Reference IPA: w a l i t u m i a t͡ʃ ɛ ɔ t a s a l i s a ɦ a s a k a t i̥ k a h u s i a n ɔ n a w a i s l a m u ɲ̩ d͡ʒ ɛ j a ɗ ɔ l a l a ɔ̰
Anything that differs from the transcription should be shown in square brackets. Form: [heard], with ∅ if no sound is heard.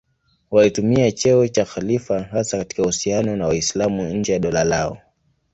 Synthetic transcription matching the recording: w a l i t u m i a t͡ʃ ɛ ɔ [t͡ʃ] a [x] a l i [f] a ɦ a s a k a t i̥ k a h u s i a n ɔ n a w a i s l a m u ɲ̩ d͡ʒ ɛ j a ɗ ɔ l a l a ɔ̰